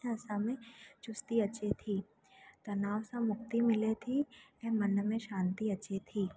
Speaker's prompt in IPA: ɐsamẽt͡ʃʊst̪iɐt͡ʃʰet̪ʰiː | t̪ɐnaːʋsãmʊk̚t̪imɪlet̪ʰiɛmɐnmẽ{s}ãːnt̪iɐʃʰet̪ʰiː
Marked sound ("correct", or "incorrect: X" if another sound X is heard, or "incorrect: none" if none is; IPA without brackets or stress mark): incorrect: ʃ